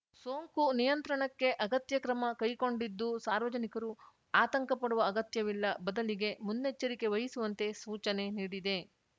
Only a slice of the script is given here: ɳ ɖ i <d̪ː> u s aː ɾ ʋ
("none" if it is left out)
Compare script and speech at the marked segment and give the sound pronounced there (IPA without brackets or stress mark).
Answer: d̪ː